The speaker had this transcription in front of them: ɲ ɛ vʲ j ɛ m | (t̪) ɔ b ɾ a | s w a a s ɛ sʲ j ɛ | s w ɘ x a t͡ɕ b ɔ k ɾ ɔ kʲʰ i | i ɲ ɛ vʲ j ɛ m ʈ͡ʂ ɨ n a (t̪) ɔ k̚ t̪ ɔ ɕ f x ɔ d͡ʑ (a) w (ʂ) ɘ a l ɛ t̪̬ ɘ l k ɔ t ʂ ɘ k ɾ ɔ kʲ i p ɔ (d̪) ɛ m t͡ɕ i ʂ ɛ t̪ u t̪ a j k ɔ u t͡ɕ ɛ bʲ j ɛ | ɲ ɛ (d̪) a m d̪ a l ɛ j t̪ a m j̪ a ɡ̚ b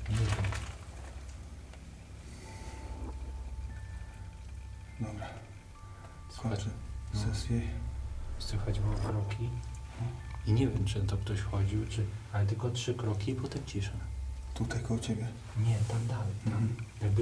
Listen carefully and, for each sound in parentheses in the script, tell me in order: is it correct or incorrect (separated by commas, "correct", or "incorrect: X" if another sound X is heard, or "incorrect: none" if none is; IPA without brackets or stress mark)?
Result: incorrect: d̪, correct, incorrect: i, incorrect: t͡ʂ, incorrect: t̪, incorrect: t̪